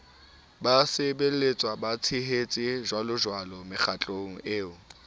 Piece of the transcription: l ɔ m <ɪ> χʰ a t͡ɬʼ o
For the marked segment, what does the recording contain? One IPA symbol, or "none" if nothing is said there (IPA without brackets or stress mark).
ɪ